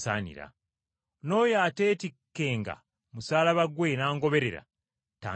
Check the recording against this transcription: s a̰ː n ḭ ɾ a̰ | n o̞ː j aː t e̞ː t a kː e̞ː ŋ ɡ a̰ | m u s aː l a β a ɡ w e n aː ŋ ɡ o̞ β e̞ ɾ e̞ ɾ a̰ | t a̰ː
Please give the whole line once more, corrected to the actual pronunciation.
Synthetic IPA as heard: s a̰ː n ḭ ɾ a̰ | n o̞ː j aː t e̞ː t i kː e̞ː ŋ ɡ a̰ | m u s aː l a β a ɡ w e n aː ŋ ɡ o̞ β e̞ ɾ e̞ ɾ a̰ | t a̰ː